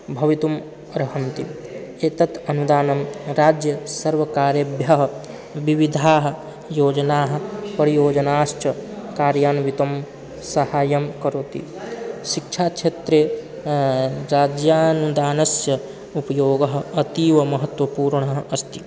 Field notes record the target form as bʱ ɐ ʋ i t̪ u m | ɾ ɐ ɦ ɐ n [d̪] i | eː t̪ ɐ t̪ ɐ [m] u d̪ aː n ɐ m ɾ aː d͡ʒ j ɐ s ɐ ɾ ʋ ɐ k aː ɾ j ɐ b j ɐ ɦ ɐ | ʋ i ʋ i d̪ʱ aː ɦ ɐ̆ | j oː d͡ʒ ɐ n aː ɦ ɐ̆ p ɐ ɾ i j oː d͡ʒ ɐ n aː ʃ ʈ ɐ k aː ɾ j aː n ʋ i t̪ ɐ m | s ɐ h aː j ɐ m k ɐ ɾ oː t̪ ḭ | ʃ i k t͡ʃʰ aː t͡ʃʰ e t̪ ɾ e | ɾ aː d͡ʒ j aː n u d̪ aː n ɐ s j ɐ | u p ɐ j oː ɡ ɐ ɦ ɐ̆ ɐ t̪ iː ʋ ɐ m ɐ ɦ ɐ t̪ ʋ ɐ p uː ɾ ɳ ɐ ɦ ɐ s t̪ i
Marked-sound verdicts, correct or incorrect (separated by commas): incorrect, incorrect